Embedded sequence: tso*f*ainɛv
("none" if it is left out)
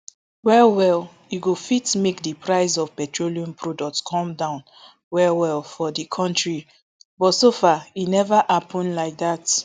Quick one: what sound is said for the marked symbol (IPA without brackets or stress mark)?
f